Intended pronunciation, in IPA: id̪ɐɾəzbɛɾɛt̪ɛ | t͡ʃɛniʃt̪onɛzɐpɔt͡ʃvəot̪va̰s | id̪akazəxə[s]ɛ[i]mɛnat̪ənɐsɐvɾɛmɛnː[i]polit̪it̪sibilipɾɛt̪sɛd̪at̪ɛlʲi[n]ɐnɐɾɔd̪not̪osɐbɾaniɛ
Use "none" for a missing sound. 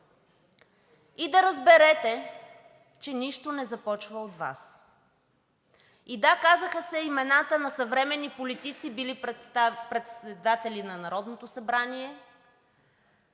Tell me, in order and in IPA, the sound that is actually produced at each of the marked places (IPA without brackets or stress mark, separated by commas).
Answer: s, i, i, n